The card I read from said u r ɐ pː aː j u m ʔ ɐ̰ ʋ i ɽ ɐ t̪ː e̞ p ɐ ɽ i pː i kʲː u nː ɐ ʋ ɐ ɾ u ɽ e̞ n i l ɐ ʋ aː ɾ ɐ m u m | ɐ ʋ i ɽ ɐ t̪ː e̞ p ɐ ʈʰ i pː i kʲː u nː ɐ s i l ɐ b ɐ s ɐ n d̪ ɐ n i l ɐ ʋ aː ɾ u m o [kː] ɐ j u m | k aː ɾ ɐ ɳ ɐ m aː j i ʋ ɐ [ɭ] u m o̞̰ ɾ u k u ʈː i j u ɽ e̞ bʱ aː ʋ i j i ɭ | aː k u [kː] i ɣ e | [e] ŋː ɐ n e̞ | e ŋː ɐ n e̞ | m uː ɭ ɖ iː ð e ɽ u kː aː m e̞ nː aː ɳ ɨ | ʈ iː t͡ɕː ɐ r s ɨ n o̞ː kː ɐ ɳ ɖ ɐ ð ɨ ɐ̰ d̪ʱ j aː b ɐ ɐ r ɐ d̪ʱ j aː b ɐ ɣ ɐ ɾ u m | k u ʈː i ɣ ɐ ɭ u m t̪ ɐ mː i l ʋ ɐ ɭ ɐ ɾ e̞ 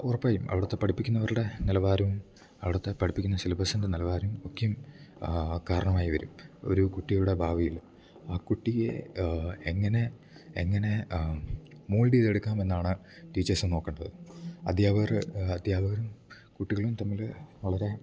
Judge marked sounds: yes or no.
yes, no, no, yes

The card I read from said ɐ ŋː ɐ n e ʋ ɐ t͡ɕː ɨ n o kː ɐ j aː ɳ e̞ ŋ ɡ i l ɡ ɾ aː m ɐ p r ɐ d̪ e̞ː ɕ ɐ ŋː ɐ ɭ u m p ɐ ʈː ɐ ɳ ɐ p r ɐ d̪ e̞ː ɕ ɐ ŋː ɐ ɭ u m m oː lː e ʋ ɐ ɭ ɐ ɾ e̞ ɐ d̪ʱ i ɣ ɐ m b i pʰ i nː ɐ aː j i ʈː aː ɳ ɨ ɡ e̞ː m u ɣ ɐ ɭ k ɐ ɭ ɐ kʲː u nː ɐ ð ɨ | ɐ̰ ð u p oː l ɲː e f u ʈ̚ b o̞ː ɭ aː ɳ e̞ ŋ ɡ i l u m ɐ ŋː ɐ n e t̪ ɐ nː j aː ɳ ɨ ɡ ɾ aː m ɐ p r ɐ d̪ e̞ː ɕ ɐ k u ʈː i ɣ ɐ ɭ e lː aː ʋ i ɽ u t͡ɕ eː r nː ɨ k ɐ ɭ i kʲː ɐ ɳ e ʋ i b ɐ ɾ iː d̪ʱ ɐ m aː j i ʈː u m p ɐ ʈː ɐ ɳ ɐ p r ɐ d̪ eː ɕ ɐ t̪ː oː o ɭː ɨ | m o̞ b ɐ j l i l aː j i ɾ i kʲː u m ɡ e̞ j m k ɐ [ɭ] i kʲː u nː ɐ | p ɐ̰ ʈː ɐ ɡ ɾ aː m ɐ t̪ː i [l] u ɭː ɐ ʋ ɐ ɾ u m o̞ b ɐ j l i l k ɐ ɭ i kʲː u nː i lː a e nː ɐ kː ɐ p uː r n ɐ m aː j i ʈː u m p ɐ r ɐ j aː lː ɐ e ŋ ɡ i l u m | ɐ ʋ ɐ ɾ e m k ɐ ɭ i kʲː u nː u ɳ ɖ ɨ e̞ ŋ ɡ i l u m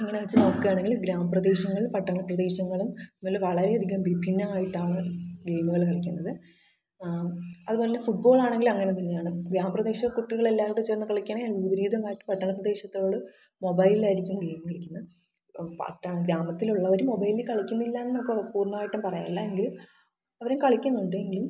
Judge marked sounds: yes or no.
yes, yes

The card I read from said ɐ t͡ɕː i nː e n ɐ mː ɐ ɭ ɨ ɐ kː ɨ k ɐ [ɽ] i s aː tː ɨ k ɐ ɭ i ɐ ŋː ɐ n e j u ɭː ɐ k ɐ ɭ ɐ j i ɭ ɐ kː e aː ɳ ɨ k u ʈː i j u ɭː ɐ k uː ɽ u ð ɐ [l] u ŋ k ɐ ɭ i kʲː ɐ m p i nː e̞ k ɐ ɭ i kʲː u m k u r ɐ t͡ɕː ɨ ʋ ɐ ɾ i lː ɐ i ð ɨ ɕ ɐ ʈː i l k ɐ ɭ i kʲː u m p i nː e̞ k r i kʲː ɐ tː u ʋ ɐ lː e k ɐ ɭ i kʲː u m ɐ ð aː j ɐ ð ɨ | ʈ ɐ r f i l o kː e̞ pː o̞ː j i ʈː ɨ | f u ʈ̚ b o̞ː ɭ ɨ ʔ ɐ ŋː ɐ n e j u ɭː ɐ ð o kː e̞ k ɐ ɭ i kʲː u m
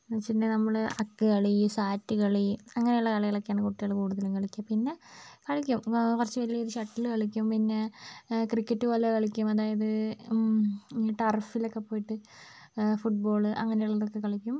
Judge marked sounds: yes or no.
no, yes

